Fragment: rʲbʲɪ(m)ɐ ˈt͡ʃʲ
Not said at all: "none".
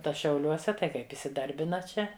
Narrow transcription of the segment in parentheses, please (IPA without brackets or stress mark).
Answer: n